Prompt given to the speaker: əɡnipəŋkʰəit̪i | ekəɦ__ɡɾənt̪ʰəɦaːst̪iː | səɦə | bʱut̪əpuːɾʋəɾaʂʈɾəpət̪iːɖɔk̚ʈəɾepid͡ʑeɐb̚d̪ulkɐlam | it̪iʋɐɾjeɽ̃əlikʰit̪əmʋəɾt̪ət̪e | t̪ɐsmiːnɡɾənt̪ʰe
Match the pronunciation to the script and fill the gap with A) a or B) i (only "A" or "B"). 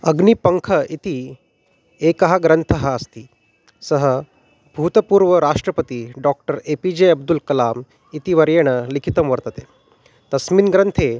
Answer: A